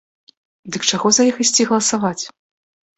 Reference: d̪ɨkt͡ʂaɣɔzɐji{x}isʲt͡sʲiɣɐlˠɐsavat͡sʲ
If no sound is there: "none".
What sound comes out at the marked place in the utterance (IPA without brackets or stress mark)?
x